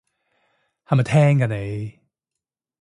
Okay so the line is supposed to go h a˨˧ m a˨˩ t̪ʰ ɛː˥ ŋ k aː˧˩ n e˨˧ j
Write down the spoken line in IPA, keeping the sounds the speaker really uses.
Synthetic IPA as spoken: h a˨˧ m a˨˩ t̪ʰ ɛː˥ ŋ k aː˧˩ n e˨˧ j